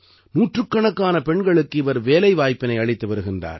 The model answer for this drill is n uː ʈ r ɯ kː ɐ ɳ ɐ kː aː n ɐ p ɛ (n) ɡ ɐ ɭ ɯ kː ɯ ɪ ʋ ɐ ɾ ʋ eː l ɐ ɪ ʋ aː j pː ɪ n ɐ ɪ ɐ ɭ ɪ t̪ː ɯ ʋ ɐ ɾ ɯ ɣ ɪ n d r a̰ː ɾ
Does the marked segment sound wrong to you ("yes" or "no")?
yes